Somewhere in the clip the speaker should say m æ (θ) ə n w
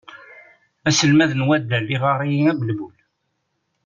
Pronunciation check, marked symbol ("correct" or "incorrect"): incorrect